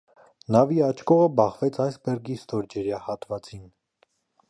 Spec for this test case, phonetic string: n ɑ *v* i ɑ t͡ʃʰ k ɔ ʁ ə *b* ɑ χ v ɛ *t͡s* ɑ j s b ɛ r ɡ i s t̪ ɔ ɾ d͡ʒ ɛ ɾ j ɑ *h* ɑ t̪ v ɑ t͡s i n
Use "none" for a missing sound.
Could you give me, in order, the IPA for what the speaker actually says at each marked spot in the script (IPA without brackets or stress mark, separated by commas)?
v, b, t͡sʰ, h